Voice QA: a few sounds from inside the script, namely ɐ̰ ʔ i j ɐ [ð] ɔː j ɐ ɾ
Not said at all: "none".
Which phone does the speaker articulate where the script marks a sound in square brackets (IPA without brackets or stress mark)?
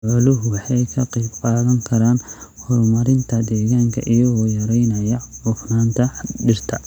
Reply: ɣ